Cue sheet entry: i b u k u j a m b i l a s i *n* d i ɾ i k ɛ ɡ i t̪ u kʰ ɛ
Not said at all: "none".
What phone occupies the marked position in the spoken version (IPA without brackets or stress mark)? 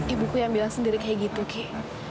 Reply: n